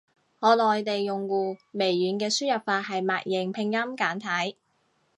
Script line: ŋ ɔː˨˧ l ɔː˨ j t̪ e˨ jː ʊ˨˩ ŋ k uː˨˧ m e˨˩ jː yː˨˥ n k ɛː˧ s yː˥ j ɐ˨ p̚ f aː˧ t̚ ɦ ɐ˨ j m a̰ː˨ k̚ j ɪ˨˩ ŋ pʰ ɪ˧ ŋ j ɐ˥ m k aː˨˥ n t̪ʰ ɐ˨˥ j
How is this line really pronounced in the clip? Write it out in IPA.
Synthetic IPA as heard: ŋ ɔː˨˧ l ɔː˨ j t̪ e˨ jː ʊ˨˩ ŋ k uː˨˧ m e˨˩ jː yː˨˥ n k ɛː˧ s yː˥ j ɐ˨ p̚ f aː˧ t̚ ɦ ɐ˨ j m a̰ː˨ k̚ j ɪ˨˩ ŋ pʰ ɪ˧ ŋ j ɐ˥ m k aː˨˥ n t̪ʰ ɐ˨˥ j